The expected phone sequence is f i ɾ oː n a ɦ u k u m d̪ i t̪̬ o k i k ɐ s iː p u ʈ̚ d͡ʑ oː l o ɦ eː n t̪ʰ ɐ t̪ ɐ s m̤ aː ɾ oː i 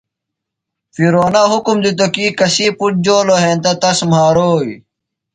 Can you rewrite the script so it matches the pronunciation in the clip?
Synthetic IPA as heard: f i ɾ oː n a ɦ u k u m d̪ i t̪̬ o k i k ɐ s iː p u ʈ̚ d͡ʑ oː l o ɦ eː n t̪ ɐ t̪ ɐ s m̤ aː ɾ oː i